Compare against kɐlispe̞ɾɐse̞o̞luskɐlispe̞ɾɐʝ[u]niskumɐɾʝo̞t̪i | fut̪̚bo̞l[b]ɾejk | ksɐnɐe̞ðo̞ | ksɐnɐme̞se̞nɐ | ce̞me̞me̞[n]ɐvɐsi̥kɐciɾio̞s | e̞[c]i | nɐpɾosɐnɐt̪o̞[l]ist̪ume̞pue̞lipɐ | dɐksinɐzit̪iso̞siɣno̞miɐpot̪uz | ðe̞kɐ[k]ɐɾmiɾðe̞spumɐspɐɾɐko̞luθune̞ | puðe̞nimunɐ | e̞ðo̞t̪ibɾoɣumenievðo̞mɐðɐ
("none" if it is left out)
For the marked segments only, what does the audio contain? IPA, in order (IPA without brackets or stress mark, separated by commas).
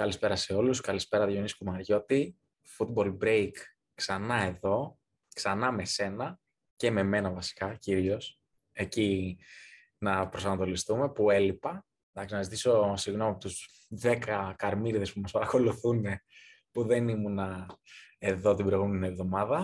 o, b, n, c, l, k